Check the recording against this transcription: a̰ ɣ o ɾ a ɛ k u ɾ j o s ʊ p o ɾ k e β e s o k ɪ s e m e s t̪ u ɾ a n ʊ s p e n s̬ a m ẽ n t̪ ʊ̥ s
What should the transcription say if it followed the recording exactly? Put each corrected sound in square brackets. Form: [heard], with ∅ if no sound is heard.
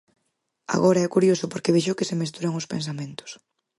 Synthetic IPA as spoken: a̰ ɣ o ɾ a ɛ k u ɾ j o s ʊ p o ɾ k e β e [ʃ] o k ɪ s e m e s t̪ u ɾ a [ŋ] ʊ s p e n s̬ a m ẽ n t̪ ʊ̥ s